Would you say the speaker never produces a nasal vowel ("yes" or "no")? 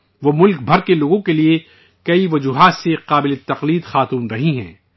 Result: no